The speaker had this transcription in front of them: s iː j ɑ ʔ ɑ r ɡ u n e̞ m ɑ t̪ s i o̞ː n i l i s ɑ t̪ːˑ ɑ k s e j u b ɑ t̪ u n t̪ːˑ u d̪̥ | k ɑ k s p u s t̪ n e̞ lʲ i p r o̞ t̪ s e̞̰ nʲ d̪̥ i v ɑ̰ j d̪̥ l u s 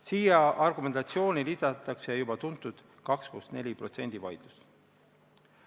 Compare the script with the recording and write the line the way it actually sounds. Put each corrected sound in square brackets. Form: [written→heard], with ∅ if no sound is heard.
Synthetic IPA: s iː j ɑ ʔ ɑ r ɡ u [n→m] e̞ [m→n] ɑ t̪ s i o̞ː n i l i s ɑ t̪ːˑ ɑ k s e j u b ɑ t̪ u n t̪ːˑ u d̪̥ | k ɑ k s p u s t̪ n e̞ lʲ i p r o̞ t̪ s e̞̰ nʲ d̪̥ i v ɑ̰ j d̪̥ l u s